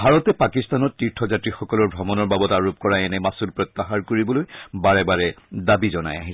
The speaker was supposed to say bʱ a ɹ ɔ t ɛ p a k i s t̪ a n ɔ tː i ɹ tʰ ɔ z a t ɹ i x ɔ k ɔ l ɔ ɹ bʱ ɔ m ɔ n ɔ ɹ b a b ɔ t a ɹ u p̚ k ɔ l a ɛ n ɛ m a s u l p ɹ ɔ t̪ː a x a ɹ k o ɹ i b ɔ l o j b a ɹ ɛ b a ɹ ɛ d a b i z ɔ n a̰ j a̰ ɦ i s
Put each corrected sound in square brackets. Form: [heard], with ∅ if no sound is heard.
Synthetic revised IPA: bʱ a ɹ ɔ t ɛ p a k i s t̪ a n ɔ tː i ɹ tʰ ɔ z a t ɹ i x ɔ k ɔ l ɔ ɹ bʱ ɔ m ɔ n ɔ ɹ b a b ɔ t a ɹ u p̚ k ɔ [ɹ] a ɛ n ɛ m a s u l p ɹ ɔ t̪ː a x a ɹ k o ɹ i b ɔ l o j b a ɹ ɛ b a ɹ ɛ d a b i z ɔ n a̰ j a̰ ɦ i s